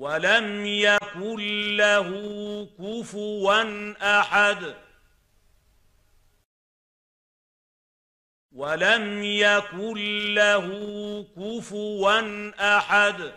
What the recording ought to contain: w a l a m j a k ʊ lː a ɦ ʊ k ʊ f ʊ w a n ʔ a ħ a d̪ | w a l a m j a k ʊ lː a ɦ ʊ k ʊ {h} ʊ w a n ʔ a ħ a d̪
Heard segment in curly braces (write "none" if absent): f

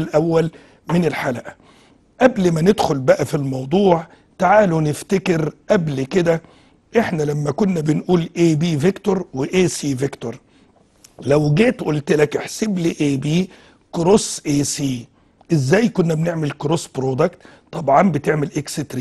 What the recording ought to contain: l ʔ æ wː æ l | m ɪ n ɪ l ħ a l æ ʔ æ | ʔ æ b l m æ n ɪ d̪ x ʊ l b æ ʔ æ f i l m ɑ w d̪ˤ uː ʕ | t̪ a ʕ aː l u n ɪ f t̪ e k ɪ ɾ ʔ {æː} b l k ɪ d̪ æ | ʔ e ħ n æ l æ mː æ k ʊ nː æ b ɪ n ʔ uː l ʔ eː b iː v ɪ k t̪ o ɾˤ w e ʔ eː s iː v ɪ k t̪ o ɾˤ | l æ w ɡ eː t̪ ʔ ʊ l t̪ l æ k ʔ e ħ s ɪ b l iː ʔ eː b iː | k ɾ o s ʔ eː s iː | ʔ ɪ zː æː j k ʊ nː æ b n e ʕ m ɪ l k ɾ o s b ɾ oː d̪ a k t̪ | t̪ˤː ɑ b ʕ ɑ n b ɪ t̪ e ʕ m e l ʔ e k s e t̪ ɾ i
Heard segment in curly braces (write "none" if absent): æ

